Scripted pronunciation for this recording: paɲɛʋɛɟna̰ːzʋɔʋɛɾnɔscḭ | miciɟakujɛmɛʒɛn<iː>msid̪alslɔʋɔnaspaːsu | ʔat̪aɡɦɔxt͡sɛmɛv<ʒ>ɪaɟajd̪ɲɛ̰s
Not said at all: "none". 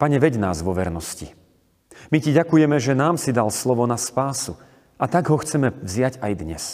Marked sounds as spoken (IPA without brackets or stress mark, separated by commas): aː, z